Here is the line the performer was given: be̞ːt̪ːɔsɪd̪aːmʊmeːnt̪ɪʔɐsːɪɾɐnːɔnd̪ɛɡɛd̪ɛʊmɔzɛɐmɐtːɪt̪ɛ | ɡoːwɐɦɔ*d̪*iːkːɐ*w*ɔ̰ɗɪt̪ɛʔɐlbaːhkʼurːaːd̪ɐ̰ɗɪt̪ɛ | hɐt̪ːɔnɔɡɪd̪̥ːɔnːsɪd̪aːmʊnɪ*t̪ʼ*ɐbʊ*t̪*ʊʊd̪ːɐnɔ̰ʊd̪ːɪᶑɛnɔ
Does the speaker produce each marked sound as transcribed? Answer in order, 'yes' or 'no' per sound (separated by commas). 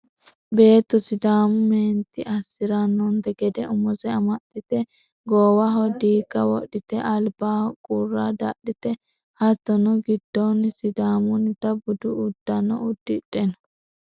yes, yes, no, no